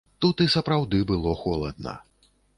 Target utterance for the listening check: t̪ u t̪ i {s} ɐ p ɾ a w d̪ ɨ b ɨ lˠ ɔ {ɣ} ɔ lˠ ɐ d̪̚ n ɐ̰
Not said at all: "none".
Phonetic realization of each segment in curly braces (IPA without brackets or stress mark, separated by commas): s, x